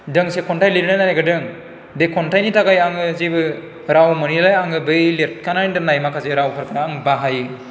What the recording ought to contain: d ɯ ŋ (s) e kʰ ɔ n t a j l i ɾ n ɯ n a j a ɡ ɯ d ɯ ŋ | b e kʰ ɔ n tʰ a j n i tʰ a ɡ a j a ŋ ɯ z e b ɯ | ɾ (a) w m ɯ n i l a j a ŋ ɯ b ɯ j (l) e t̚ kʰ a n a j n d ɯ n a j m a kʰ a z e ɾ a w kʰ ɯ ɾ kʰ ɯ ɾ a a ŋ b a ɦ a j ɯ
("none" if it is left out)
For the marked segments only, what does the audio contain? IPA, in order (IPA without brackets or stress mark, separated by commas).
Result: s, a, l